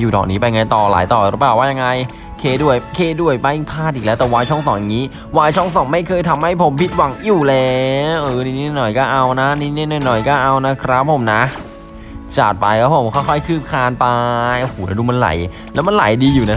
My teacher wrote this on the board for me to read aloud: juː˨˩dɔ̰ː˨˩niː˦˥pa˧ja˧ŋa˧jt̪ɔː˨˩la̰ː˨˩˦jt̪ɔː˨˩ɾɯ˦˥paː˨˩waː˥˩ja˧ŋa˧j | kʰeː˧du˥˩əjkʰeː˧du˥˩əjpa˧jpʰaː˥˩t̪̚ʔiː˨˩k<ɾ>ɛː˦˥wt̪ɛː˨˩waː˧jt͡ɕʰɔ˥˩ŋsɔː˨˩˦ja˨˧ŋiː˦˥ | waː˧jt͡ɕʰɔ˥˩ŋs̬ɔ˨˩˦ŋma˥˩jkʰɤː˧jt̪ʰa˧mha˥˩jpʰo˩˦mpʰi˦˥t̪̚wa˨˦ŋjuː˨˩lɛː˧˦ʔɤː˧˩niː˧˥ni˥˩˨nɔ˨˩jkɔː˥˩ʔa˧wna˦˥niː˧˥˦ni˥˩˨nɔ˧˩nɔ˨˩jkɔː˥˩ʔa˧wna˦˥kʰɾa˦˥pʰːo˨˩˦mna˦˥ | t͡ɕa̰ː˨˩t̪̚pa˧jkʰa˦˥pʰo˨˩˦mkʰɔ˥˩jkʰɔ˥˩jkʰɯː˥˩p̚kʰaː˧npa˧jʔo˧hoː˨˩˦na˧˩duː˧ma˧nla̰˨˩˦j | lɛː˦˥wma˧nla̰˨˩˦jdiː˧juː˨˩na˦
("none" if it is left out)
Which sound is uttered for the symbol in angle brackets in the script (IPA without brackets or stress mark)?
l